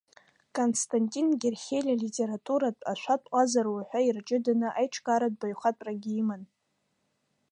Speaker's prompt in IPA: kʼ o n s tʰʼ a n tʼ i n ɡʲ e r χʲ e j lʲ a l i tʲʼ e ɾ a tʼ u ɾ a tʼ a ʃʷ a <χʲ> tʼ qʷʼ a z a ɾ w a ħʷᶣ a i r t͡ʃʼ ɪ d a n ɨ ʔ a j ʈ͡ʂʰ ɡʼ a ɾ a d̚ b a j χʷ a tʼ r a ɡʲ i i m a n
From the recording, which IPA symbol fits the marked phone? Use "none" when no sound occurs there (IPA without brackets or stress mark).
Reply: none